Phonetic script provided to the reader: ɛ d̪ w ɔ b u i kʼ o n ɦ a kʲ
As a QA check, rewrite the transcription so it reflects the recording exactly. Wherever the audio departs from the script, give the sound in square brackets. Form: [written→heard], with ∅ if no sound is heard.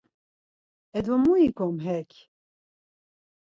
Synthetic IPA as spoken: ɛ d̪ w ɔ [b→m] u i [kʼ→k] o [n→m] ɦ [a→ɛ] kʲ